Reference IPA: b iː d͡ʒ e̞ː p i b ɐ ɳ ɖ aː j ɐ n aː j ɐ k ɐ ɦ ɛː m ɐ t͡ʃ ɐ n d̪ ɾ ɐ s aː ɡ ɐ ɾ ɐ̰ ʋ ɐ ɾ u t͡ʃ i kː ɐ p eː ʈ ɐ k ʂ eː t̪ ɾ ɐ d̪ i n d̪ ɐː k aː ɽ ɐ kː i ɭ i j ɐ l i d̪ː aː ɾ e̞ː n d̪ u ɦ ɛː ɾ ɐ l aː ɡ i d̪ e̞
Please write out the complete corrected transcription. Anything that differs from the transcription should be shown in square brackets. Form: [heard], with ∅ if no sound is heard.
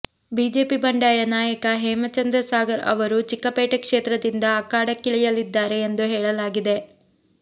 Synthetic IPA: b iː d͡ʒ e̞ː p i b ɐ ɳ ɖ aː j ɐ n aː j ɐ k ɐ ɦ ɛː m ɐ t͡ʃ ɐ n d̪ ɾ ɐ s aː ɡ ɐ ɾ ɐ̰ ʋ ɐ ɾ u t͡ʃ i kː ɐ p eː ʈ ɐ k ʂ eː t̪ ɾ ɐ d̪ i n d̪ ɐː k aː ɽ ɐ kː i ɭ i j ɐ l i d̪ː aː ɾ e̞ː n d̪ u ɦ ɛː [ɭ] ɐ l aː ɡ i d̪ e̞

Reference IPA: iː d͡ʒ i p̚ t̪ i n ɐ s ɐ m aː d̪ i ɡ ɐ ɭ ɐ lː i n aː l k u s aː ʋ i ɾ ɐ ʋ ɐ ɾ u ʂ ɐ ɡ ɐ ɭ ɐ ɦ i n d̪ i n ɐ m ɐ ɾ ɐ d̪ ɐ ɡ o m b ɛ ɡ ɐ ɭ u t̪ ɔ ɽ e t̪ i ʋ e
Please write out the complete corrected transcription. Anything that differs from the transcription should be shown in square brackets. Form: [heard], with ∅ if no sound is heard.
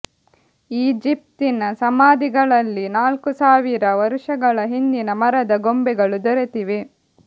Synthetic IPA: iː d͡ʒ i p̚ t̪ i n ɐ s ɐ m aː d̪ i ɡ ɐ ɭ ɐ lː i n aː l k u s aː ʋ i ɾ ɐ ʋ ɐ ɾ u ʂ ɐ ɡ ɐ ɭ ɐ ɦ i n d̪ i n ɐ m ɐ ɾ ɐ d̪ ɐ ɡ o m b ɛ ɡ ɐ ɭ u [d̪] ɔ [ɾ] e t̪ i ʋ e

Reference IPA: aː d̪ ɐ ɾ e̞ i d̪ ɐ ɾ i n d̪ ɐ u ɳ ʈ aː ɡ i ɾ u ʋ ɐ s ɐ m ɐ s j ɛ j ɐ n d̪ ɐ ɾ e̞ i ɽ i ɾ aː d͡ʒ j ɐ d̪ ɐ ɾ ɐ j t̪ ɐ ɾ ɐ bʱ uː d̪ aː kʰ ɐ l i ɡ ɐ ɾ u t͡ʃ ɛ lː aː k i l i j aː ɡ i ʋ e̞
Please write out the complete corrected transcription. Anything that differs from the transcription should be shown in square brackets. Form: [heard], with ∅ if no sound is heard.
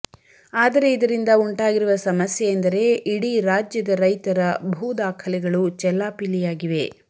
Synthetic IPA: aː d̪ ɐ ɾ e̞ i d̪ ɐ ɾ i n d̪ ɐ u ɳ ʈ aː ɡ i ɾ u ʋ ɐ s ɐ m ɐ s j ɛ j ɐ n d̪ ɐ ɾ e̞ i ɽ i ɾ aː d͡ʒ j ɐ d̪ ɐ ɾ ɐ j t̪ ɐ ɾ ɐ bʱ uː d̪ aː kʰ ɐ l [ɛ] ɡ ɐ [ɭ] u t͡ʃ ɛ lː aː [p] i l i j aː ɡ i ʋ e̞

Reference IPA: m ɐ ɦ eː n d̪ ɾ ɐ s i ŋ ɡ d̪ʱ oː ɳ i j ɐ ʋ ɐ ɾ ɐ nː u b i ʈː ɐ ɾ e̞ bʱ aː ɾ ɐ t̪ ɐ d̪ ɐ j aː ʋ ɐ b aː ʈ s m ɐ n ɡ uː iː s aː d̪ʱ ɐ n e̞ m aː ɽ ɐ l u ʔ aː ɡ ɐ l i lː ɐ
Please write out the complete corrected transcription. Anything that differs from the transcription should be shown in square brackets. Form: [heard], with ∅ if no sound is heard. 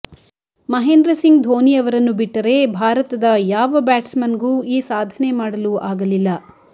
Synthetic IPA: m ɐ ɦ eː n d̪ ɾ ɐ s i ŋ ɡ d̪ʱ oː [n] i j ɐ ʋ ɐ ɾ ɐ nː u b i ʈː ɐ ɾ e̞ bʱ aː ɾ ɐ t̪ ɐ d̪ ɐ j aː ʋ ɐ b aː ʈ s m ɐ n ɡ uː iː s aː d̪ʱ ɐ n e̞ m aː ɽ ɐ l u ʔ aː ɡ ɐ l i lː ɐ

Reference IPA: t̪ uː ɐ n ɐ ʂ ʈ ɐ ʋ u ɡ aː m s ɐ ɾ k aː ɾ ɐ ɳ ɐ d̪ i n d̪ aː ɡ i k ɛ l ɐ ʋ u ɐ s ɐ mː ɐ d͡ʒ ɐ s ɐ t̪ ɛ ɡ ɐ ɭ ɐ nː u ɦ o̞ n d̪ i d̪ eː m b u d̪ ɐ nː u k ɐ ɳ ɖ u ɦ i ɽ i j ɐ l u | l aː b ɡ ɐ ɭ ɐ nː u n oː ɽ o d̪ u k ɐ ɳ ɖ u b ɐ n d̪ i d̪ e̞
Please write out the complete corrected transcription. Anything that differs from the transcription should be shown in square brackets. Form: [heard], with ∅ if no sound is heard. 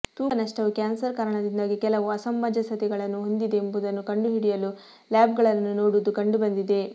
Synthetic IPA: t̪ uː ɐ n ɐ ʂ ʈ ɐ ʋ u [k] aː [n] s ɐ ɾ k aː ɾ ɐ ɳ ɐ d̪ i n d̪ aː ɡ i k ɛ l ɐ ʋ u ɐ s ɐ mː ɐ d͡ʒ ɐ s ɐ t̪ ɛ ɡ ɐ ɭ ɐ nː u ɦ o̞ n d̪ i d̪ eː m b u d̪ ɐ nː u k ɐ ɳ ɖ u ɦ i ɽ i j ɐ l u | l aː b ɡ ɐ ɭ ɐ nː u n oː ɽ [u] d̪ u k ɐ ɳ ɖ u b ɐ n d̪ i d̪ e̞

